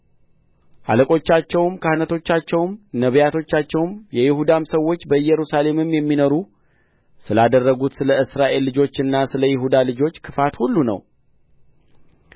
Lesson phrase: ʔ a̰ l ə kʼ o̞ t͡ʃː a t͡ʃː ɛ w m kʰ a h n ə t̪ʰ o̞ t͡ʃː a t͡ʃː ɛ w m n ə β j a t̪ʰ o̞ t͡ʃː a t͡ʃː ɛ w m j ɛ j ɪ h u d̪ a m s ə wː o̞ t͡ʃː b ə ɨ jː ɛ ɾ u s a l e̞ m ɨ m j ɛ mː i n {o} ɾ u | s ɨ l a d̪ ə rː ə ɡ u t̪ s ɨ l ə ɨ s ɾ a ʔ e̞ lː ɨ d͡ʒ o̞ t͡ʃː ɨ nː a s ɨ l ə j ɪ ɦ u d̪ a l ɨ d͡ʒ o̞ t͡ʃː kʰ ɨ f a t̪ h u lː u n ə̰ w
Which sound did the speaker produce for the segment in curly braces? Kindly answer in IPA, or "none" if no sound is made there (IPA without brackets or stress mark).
o